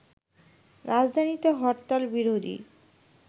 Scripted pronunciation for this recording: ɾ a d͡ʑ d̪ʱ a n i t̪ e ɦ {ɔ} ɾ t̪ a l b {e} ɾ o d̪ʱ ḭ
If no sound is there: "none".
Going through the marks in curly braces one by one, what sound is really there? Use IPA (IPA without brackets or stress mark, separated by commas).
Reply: ɔ, i